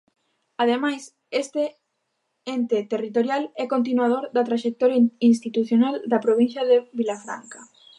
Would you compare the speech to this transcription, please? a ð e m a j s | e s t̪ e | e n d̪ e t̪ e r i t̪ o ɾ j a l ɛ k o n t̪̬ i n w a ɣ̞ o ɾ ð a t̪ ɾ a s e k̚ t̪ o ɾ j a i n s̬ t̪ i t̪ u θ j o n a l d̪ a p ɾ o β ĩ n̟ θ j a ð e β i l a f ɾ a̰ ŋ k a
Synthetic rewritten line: a ð e m a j s | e s t̪ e | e n t̪ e t̪ e r i t̪ o ɾ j a l ɛ k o n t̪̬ i n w a ð̞ o ɾ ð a t̪ ɾ a ʃ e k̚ t̪ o ɾ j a i n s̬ t̪ i t̪ u θ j o n a l d̪ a p ɾ o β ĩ n̟ θ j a ð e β i l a f ɾ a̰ ŋ k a

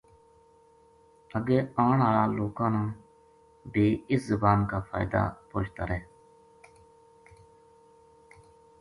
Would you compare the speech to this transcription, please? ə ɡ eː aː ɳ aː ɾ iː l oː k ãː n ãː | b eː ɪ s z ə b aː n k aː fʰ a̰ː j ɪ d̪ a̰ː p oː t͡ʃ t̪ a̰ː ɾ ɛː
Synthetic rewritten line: ə ɡ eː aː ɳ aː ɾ aː l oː k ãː n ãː | b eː ɪ s z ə b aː n k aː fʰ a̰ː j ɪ d̪ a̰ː p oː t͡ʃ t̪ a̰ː ɾ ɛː

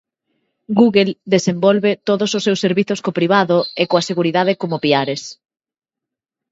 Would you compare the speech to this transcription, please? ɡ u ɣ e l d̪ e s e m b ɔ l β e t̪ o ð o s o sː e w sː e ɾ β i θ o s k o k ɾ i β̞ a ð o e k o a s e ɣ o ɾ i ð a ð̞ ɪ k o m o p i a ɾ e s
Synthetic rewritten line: ɡ u ɣ e l d̪ e s e m b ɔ l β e t̪ o ð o s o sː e w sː e ɾ β i θ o s k o p ɾ i β̞ a ð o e k o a s e ɣ u ɾ i ð a ð̞ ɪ k o m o p i a ɾ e s

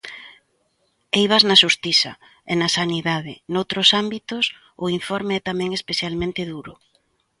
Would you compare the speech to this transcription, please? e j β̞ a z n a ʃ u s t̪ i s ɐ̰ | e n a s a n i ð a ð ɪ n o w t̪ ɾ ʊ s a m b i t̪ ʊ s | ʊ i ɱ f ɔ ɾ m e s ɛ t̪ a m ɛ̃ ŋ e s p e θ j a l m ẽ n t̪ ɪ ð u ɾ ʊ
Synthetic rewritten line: e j β̞ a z n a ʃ u s t̪ i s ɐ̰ | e n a s a n i ð a ð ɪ n o w t̪ ɾ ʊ s a m b i t̪ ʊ s | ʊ i ɱ f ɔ ɾ m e ɛ t̪ a m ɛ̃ ŋ e s p e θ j a l m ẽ n t̪ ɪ ð u ɾ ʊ

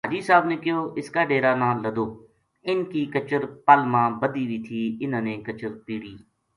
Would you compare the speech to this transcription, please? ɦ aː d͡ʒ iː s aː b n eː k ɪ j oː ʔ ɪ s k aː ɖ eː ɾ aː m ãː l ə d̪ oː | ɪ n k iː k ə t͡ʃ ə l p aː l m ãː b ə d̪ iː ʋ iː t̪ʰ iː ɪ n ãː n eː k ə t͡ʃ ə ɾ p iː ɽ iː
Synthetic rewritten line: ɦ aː d͡ʒ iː s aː b n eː k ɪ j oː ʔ ɪ s k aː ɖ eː ɾ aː n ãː l ə d̪ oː | ɪ n k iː k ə t͡ʃ ə ɾ p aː l m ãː b ə d̪ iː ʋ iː t̪ʰ iː ɪ n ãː n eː k ə t͡ʃ ə ɾ p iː ɽ iː

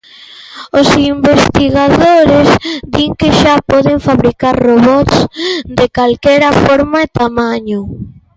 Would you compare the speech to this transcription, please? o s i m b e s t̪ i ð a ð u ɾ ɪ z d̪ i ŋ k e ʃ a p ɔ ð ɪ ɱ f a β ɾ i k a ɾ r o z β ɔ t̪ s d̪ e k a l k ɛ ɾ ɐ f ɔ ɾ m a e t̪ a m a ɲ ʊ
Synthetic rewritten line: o s i m b e s t̪ i ɣ a ð o ɾ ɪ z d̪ i ŋ k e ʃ a p ɔ ð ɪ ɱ f a β ɾ i k a ɾ r o β ɔ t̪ s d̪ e k a l k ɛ ɾ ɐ f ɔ ɾ m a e t̪ a m a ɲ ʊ

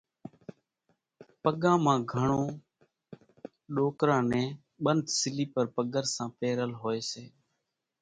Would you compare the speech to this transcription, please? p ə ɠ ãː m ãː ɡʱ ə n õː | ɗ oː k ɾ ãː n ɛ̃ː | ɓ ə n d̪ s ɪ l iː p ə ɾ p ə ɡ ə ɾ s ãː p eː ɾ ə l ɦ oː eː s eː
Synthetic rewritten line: p ə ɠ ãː m ãː ɡʱ ə ɳ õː | ɗ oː k ɾ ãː n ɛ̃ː | ɓ ə n d̪ s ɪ l iː p ə ɾ p ə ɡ ə ɾ s ãː p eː ɾ ə l ɦ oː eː s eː

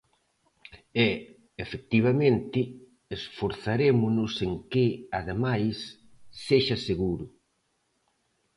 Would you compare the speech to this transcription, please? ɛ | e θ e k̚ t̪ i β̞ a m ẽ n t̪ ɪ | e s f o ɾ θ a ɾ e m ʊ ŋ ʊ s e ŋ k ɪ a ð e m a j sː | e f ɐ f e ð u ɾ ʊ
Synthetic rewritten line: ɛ | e f e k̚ t̪ i β̞ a m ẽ n t̪ ɪ | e s f o ɾ θ a ɾ e m ʊ n ʊ s e ŋ k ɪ a ð e m a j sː | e ʃ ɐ s e ɣ u ɾ ʊ

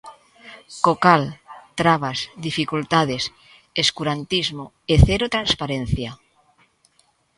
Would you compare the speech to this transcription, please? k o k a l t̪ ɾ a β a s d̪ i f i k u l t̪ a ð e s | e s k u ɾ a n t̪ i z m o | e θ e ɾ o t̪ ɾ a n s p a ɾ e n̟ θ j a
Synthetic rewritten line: k o k a l t̪ ɾ a β a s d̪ i f i k u l t̪ a ð e s | e s k u ɾ a n t̪ i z m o | e θ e ɾ o t̪ ɾ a n s p a ɾ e n̟ θ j a

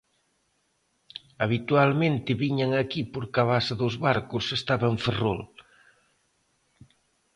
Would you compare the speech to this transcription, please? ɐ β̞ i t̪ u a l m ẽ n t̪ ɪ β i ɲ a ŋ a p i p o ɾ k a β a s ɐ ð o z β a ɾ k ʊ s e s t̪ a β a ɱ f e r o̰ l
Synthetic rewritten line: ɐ β̞ i t̪ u a l m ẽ n t̪ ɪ β i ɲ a ŋ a k i p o ɾ k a β a s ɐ ð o z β a ɾ k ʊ s e s t̪ a β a ɱ f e r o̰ l

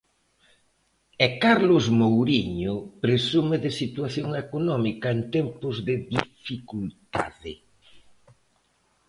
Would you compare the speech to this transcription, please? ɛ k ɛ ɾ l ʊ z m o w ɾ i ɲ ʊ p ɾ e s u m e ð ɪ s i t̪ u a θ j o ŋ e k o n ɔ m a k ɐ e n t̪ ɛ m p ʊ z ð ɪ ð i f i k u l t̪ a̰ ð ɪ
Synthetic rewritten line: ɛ k a ɾ l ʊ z m o w ɾ i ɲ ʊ p ɾ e s u m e ð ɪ s i t̪ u a θ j o ŋ e k o n ɔ m i k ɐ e n t̪ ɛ m p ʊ z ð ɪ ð i f i k u l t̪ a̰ ð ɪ

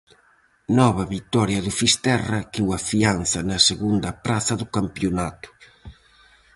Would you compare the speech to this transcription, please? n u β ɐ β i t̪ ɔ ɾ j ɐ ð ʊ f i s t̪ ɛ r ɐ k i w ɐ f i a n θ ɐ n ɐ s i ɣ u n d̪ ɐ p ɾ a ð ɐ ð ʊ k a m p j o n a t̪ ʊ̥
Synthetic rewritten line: n ɔ β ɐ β i t̪ ɔ ɾ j ɐ ð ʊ f i s t̪ ɛ r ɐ k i w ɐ f i a n θ ɐ n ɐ s e ɣ u n d̪ ɐ p ɾ a θ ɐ ð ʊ k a m p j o n a t̪ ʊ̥

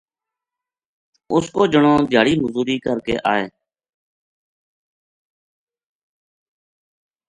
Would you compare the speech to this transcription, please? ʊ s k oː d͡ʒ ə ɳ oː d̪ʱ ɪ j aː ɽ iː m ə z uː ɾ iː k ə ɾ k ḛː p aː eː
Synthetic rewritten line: ʊ s k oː d͡ʒ ə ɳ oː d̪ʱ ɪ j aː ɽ iː m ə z uː ɾ iː k ə ɾ k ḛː ʔ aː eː

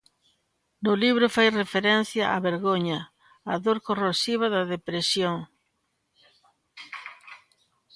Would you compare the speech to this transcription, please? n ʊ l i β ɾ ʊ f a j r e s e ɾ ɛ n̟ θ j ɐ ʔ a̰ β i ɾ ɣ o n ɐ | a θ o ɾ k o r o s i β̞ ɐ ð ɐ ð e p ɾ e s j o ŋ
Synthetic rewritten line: n ʊ l i β ɾ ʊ f a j r e f e ɾ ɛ n̟ θ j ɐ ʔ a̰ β e ɾ ɣ o ɲ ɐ | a ð o ɾ k o r o s i β̞ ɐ ð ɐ ð e p ɾ e s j o ŋ

